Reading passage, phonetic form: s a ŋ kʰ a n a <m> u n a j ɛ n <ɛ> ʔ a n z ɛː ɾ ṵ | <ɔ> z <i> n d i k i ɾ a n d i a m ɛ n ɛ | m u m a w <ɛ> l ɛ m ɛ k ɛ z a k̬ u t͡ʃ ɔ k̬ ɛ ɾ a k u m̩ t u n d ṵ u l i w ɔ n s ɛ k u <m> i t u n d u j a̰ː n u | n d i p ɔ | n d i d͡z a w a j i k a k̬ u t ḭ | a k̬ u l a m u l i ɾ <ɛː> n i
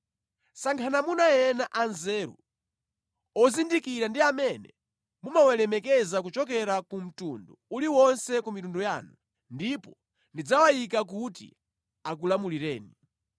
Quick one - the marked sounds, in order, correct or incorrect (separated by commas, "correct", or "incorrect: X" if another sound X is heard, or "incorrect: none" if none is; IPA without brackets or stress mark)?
correct, incorrect: a, correct, correct, correct, correct, correct